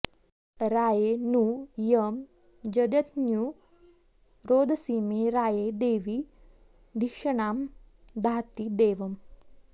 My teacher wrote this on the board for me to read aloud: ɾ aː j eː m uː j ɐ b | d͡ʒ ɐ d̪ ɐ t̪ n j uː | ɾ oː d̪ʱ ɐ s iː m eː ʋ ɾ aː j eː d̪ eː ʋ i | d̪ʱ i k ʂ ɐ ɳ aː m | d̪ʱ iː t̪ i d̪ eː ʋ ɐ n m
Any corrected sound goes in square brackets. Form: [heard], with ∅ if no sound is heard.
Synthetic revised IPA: ɾ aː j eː [n] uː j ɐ [m] | d͡ʒ ɐ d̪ ɐ t̪ n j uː | ɾ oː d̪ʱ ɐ s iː m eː [∅] ɾ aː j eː d̪ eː ʋ i | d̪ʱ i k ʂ ɐ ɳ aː m | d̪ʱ [aː] t̪ i d̪ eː ʋ ɐ [∅] m